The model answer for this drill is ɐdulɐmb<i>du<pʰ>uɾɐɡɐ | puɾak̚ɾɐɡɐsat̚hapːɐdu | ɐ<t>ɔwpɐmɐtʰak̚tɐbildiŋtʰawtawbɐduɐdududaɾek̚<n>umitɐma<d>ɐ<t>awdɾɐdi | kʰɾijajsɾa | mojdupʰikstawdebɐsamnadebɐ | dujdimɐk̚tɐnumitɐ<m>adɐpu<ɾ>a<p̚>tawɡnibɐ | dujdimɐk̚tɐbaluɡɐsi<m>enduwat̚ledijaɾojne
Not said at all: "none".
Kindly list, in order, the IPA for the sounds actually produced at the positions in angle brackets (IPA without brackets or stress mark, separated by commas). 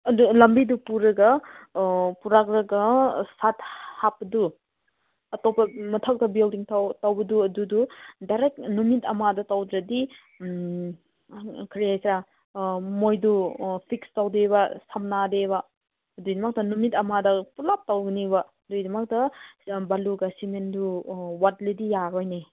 i, p, t, n, d, t, m, l, p̚, m